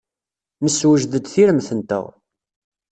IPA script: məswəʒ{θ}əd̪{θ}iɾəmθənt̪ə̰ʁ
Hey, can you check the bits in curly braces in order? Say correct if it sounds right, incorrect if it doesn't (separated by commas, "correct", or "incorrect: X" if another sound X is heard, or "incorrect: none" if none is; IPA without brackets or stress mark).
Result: incorrect: ð, correct